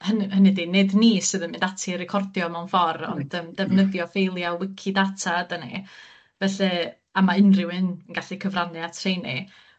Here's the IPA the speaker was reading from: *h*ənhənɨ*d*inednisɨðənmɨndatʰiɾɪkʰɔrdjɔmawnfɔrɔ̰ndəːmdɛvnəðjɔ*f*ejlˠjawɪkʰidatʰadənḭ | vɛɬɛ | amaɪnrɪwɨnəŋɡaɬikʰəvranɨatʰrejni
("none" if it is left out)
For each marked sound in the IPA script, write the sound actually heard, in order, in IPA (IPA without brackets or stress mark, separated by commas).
h, d, f